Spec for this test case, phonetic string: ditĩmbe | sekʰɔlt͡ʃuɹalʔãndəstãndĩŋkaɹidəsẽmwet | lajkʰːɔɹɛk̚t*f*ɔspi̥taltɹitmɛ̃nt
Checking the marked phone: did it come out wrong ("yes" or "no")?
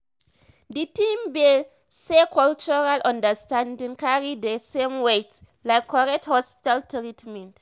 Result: yes